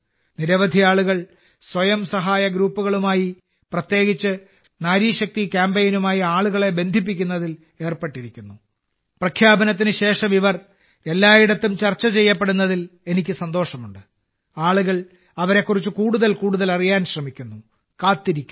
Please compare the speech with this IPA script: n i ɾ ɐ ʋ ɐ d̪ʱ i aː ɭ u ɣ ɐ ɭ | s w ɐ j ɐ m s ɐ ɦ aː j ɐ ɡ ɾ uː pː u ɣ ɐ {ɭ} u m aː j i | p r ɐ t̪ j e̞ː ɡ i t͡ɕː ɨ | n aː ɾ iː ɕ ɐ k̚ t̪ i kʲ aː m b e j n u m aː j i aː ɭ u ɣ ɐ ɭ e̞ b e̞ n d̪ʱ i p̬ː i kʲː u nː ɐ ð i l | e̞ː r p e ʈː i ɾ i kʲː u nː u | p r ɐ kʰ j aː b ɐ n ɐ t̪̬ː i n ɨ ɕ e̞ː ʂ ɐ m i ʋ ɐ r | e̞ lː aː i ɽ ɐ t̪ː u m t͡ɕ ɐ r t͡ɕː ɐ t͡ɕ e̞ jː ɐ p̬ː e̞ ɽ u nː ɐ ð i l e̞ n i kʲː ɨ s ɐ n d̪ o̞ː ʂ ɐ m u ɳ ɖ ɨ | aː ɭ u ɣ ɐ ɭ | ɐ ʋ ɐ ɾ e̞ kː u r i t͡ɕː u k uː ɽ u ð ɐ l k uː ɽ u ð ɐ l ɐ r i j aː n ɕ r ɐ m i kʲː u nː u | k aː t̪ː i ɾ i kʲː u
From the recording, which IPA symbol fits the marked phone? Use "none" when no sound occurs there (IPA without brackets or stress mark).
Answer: ɭ